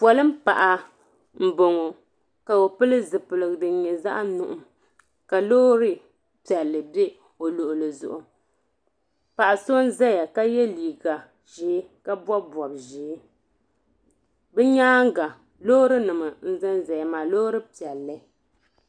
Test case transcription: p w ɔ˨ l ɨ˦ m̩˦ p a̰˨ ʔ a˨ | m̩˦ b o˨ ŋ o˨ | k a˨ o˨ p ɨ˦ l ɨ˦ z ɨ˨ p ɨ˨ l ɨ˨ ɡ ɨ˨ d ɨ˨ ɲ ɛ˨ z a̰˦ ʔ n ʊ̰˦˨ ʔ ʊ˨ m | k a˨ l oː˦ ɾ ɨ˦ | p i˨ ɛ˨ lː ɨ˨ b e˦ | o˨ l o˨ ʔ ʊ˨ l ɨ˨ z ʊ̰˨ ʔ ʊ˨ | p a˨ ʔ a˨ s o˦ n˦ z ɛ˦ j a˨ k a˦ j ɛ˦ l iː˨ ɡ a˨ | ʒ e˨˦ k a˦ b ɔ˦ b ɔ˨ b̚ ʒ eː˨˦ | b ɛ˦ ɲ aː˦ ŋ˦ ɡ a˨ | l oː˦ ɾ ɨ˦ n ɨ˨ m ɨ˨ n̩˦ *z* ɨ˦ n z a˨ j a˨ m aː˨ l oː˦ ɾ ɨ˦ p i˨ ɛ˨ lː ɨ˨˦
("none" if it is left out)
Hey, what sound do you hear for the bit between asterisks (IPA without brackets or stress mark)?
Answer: z